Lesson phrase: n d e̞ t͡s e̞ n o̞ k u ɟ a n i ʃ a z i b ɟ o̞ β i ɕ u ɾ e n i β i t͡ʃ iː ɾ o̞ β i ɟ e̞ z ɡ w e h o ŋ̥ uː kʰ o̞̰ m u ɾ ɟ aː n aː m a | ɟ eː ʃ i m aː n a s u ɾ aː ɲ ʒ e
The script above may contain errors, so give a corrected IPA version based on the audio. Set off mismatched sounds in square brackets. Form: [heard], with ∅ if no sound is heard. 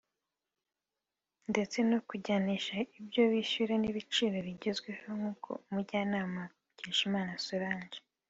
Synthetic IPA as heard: n d e̞ t͡s e̞ n o̞ k u ɟ a n i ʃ a [∅] i b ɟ o̞ β i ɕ u ɾ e n i β i t͡ʃ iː ɾ o̞ β i ɟ e̞ z ɡ w e h o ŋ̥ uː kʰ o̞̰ m u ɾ ɟ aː n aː m a | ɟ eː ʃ i m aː n a s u ɾ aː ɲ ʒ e